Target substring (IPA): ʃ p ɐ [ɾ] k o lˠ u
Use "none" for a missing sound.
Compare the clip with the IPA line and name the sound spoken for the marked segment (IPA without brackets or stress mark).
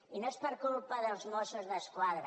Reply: ɾ